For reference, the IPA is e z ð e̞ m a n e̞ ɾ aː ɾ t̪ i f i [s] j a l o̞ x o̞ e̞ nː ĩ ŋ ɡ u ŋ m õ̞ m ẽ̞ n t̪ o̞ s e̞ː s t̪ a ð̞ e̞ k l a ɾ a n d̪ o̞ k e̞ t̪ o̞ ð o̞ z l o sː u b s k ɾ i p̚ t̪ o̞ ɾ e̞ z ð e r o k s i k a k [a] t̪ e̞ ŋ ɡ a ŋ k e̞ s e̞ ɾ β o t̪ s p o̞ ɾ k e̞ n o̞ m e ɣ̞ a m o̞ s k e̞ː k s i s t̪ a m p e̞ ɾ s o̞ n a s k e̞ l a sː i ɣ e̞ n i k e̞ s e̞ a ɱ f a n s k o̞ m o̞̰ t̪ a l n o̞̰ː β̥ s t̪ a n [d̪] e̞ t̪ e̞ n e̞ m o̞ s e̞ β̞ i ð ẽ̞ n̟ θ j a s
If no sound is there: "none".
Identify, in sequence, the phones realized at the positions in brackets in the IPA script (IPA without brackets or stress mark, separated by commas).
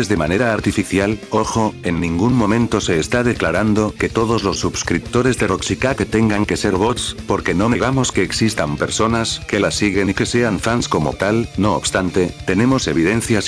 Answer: θ, e, t̪